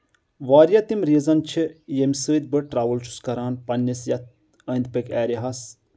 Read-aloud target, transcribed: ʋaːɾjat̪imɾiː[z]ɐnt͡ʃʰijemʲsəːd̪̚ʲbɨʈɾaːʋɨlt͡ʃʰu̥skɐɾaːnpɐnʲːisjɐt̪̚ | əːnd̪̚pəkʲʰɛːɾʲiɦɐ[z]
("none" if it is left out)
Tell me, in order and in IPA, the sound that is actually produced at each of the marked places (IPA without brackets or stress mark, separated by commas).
z, s